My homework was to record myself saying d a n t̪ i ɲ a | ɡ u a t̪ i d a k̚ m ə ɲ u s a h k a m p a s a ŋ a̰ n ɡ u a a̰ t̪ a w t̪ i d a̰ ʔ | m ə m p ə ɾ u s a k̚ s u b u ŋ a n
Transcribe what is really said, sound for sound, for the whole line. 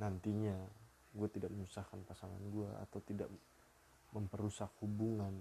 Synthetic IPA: n a n t̪ i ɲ a | ɡ u a t̪ i d a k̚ m ə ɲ u s a h k a n p a s a ŋ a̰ n ɡ u a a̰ t̪ a w t̪ i d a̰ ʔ | m ə m p ə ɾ u s a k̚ h u b u ŋ a n